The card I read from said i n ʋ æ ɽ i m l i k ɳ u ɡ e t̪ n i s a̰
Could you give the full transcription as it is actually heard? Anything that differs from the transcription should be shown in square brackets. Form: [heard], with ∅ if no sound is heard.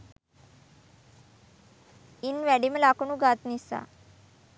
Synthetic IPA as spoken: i n ʋ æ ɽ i m l [a] k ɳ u ɡ [a] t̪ n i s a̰